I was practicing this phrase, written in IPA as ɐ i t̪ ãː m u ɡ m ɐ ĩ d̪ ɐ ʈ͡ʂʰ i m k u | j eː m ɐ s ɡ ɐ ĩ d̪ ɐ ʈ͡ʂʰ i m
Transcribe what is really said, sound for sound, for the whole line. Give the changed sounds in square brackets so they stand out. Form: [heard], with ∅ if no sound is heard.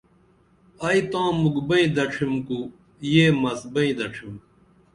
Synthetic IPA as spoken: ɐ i t̪ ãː m u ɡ [b] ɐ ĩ d̪ ɐ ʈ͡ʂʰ i m k u | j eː m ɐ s [b] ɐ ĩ d̪ ɐ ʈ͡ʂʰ i m